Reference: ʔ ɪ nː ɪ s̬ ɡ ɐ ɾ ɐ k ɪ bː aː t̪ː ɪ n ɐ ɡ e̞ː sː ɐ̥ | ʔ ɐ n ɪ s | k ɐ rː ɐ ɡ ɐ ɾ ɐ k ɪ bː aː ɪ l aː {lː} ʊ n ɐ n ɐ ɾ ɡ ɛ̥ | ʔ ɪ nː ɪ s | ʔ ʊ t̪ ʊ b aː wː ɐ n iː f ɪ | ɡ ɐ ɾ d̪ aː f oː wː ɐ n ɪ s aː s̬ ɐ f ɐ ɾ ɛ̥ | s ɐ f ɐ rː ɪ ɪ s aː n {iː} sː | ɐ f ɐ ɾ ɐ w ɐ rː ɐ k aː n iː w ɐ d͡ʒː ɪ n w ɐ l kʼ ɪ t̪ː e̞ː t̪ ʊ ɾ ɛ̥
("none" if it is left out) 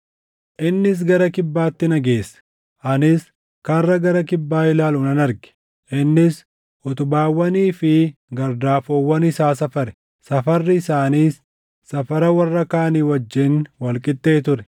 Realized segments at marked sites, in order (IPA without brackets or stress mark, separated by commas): l, iː